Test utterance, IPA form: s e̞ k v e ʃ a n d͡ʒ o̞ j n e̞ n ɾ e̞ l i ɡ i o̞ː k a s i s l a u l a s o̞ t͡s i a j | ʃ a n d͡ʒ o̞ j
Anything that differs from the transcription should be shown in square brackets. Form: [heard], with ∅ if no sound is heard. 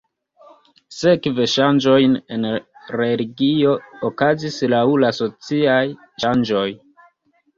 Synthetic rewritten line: s e̞ k v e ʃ a n d͡ʒ o̞ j n e̞ n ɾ e̞ l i ɡ i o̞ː k a [z] i s l a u l a s o̞ t͡s i a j | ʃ a n d͡ʒ o̞ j